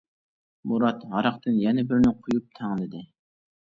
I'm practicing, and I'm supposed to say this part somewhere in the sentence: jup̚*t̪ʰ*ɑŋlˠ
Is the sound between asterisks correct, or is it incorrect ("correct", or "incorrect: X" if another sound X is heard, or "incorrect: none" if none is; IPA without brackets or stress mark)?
correct